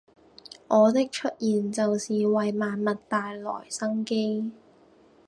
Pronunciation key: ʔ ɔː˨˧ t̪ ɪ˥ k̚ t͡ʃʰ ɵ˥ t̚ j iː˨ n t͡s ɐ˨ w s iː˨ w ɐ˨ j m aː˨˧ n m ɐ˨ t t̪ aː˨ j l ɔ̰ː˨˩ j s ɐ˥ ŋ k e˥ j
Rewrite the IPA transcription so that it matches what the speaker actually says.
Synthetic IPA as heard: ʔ ɔː˨˧ t̪ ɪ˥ k̚ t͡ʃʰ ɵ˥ t̚ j iː˨ n t͡s ɐ˨ w s iː˨ w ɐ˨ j m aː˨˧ n m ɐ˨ t t̪ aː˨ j l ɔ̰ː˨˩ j s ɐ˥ ŋ k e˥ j

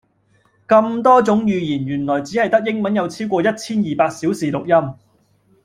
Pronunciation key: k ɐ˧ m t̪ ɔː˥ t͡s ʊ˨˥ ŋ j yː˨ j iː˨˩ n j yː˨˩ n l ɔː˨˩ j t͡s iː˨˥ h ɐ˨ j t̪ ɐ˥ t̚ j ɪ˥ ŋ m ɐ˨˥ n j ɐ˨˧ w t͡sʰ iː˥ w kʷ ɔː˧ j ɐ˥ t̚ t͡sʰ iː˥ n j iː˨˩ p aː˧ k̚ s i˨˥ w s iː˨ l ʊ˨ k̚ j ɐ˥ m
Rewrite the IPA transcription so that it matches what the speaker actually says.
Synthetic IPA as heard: k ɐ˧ m t̪ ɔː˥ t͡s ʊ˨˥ ŋ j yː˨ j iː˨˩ n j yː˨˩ n l ɔː˨˩ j t͡s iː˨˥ h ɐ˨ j t̪ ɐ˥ k̚ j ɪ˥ ŋ m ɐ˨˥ n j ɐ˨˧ w t͡sʰ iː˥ w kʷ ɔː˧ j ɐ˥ t̚ t͡sʰ iː˥ n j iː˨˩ p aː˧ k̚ s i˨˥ w s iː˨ l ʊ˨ k̚ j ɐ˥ m

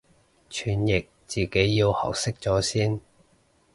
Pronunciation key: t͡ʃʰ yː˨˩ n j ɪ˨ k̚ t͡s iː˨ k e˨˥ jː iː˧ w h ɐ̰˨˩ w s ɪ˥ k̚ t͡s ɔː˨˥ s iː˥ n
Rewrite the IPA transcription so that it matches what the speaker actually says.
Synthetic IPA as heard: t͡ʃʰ yː˨˩ n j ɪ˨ k̚ t͡s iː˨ k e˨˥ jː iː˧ w h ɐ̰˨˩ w s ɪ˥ k̚ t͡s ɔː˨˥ s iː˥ n

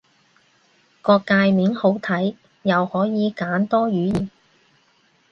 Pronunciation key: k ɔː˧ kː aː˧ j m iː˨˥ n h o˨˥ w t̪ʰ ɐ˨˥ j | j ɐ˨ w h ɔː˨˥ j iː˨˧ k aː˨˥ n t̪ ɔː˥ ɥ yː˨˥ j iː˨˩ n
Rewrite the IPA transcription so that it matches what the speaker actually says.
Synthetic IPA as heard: k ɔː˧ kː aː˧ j m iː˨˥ n h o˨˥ w t̪ʰ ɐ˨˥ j | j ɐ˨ w h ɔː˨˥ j iː˨˧ k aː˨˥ n t̪ ɔː˥ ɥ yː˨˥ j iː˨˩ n

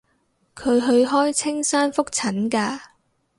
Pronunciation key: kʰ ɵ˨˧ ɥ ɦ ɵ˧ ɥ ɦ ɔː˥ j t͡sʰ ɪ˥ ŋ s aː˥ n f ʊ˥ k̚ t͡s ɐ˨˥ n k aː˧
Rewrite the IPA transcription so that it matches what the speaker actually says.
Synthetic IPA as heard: kʰ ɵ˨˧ ɥ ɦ ɵ˧ ɥ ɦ ɔː˥ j t͡sʰ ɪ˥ ŋ s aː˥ n f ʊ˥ k̚ t͡sʰ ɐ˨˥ n k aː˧

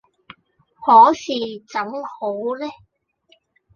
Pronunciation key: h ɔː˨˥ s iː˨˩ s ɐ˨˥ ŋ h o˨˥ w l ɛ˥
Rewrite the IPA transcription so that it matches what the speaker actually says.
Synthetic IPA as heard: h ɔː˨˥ s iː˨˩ t͡s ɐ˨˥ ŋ h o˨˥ w l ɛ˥

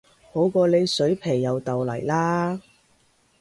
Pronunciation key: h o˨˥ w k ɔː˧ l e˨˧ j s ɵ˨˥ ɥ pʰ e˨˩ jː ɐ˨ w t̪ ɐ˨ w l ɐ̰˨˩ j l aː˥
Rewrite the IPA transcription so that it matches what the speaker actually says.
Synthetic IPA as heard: h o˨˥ w k ɔː˧ l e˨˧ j s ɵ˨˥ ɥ pʰ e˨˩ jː ɐ˨ w t̪ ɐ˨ w l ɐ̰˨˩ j l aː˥

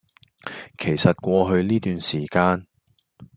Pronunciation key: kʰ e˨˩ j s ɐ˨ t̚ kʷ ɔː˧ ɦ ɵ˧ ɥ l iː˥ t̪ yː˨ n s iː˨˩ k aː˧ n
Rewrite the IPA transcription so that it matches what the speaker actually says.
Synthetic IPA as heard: kʰ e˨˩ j s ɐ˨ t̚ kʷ ɔː˧ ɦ ɵ˧ ɥ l iː˥ t̪ yː˨ n s iː˨˩ k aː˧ n

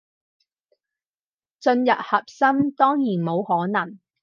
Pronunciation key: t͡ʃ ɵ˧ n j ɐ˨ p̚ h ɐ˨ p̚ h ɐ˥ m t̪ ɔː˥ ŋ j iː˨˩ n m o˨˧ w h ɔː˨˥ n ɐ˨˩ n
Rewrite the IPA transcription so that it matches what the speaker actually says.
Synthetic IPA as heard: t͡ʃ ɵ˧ n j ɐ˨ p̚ h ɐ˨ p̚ s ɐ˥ m t̪ ɔː˥ ŋ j iː˨˩ n m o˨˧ w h ɔː˨˥ n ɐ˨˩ ŋ

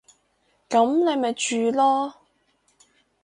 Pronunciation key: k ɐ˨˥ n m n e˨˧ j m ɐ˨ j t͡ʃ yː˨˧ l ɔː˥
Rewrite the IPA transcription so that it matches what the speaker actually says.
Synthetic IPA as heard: k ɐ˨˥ m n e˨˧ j m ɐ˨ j t͡ʃ yː˨˧ l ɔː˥

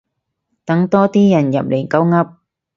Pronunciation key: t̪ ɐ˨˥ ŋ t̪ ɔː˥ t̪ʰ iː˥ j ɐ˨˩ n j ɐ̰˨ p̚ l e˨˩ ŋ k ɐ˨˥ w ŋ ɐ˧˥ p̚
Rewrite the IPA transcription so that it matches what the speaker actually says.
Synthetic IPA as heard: t̪ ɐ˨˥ ŋ t̪ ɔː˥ t̪ iː˥ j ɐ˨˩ n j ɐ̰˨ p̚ l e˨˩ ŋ k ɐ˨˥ w ŋ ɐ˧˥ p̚

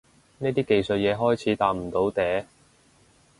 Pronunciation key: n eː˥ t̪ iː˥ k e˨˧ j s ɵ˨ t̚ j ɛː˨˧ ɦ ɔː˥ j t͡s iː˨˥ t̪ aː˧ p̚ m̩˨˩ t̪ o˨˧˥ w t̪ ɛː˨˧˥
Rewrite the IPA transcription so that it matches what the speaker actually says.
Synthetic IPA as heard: n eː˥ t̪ iː˥ k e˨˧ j s ɵ˨ t̚ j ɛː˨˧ ɦ ɔː˥ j t͡sʰ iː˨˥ t̪ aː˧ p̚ m̩˨˩ t̪ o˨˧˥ w t̪ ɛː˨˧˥

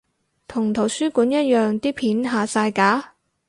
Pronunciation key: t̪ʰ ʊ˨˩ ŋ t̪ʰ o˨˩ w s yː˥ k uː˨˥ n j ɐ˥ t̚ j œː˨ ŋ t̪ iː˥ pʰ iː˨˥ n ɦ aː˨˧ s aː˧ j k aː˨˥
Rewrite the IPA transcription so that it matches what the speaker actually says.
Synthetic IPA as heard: t̪ʰ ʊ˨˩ ŋ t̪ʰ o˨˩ w s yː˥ k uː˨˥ n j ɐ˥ t̚ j œː˨ ŋ t̪ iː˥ pʰ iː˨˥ n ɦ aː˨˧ s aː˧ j k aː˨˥

